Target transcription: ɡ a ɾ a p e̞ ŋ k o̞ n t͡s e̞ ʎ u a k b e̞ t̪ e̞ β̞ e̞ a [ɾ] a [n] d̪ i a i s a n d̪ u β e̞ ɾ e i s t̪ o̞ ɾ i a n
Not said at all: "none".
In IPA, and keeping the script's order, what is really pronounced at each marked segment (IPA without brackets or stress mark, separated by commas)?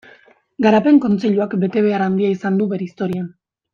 ɾ, n